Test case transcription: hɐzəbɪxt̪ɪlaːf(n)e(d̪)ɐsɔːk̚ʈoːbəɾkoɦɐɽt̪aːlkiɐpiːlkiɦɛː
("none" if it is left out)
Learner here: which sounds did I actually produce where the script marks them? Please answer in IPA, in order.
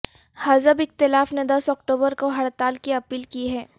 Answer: n, d̪

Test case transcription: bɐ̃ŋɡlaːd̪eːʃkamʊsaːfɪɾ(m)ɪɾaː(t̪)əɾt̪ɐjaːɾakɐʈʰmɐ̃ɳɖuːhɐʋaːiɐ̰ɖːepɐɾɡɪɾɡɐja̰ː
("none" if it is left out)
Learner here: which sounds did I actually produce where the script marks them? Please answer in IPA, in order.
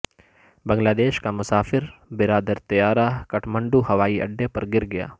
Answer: b, d̪

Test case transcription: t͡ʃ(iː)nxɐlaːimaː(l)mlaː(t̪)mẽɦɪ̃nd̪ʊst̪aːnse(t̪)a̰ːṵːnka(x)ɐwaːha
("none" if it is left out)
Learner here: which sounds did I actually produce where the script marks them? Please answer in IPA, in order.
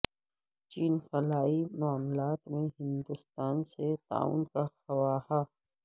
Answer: iː, none, t̪, t̪, x

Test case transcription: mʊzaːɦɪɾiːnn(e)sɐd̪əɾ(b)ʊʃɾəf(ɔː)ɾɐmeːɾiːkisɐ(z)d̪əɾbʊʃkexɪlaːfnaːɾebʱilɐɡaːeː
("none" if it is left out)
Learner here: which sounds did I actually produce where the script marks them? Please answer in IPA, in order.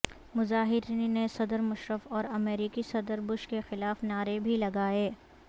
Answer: e, m, ɔː, none

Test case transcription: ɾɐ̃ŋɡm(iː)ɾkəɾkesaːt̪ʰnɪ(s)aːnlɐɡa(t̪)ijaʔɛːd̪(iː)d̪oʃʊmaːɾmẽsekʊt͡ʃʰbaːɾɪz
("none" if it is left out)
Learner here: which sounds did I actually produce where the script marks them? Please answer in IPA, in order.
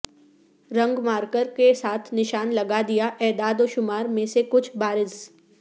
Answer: aː, ʃ, d̪, aː

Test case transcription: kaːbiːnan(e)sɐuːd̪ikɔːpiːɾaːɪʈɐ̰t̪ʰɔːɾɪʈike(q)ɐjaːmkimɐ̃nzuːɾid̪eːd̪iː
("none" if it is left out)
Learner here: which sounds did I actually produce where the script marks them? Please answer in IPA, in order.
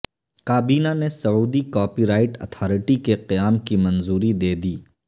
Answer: e, q

